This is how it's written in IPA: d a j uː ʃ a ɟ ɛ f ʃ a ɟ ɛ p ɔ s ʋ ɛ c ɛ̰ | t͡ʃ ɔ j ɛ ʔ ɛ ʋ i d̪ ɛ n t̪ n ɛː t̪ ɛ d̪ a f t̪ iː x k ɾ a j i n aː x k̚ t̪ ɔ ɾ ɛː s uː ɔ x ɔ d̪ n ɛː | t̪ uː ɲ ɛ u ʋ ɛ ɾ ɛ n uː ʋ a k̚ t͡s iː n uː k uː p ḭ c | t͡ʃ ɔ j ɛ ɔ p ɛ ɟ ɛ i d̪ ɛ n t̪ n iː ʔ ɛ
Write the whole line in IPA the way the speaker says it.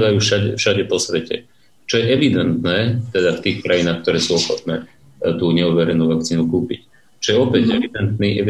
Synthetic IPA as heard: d a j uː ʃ a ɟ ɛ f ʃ a ɟ ɛ p ɔ s ʋ ɛ c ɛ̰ | t͡ʃ ɔ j ɛ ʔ ɛ ʋ i d̪ ɛ n t̪ n ɛː t̪ ɛ d̪ a f t̪ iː x k ɾ a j i n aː x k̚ t̪ ɔ ɾ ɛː s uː ɔ x ɔ t̪ n ɛː | t̪ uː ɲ ɛ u ʋ ɛ ɾ ɛ n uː ʋ a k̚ t͡s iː n u k uː p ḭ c | t͡ʃ ɔ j ɛ ɔ p ɛ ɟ ɛ i d̪ ɛ n t̪ n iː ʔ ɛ